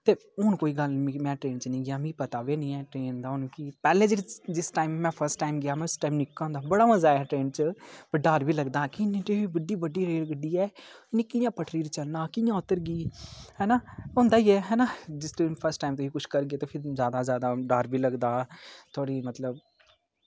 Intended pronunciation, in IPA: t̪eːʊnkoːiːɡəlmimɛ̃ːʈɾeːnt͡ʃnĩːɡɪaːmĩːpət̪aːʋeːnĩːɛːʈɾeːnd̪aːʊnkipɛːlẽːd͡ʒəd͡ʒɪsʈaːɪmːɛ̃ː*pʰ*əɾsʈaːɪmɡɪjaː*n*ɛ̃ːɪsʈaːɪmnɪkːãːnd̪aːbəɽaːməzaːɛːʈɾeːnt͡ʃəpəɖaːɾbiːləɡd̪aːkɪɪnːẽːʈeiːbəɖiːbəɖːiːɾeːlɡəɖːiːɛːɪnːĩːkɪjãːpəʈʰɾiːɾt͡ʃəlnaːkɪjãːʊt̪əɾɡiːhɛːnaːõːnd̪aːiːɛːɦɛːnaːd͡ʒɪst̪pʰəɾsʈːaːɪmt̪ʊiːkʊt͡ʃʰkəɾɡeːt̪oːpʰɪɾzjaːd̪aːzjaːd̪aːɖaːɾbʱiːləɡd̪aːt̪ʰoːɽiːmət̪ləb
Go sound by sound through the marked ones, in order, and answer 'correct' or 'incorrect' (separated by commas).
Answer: correct, incorrect